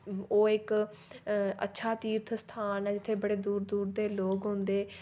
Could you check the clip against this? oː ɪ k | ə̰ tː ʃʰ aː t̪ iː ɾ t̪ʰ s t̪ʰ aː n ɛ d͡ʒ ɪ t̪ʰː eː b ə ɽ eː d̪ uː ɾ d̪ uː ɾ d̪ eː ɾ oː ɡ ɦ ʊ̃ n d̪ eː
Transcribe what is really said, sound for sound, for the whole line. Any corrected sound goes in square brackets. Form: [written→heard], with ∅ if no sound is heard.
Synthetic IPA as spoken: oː ɪ k | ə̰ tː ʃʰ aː t̪ iː ɾ t̪ʰ s t̪ʰ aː n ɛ d͡ʒ ɪ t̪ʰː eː b ə ɽ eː d̪ uː ɾ d̪ uː ɾ d̪ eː [ɾ→l] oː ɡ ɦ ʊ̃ n d̪ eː